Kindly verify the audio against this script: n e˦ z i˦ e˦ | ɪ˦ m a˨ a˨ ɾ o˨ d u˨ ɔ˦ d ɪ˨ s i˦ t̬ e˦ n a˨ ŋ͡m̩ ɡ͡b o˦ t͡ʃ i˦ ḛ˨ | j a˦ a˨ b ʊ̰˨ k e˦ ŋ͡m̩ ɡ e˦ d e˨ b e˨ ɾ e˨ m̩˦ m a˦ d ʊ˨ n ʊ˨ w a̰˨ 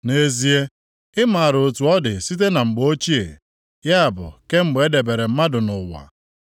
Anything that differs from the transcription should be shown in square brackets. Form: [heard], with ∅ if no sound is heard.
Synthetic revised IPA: n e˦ z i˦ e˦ | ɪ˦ m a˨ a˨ ɾ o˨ [t] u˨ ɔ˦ d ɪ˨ s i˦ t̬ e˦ n a˨ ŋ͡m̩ ɡ͡b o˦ t͡ʃ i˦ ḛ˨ | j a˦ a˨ b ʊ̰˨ k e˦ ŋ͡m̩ [ɡ͡b] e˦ d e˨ b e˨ ɾ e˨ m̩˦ m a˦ d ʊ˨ n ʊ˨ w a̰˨